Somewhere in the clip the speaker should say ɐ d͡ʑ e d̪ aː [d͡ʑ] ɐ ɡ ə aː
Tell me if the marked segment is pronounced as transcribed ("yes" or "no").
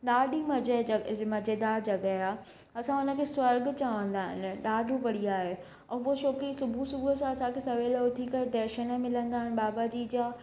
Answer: yes